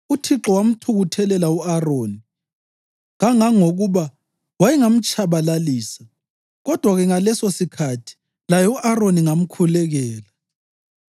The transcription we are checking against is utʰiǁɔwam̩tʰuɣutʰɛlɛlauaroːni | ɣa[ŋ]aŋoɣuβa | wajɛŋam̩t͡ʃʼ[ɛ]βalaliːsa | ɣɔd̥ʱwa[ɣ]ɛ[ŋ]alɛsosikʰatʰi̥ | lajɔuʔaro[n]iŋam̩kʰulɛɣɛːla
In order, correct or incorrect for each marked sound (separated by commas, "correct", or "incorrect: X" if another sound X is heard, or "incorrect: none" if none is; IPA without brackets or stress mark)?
correct, incorrect: a, correct, correct, correct